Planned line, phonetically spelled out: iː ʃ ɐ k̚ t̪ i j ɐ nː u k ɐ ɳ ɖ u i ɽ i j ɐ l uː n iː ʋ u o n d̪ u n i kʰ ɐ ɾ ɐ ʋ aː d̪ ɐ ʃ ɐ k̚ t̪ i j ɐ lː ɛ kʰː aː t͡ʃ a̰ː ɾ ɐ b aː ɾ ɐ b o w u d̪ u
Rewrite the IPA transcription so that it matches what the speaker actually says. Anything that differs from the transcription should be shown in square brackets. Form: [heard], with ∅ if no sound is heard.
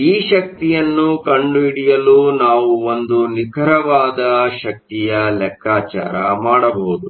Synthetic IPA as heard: iː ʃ ɐ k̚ t̪ i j ɐ nː u k ɐ ɳ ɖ u i ɽ i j ɐ l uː n [aː] ʋ u o n d̪ u n i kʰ ɐ ɾ ɐ ʋ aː d̪ ɐ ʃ ɐ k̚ t̪ i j ɐ [l] ɛ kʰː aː t͡ʃ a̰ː ɾ ɐ [m] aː [ɽ] ɐ b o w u d̪ u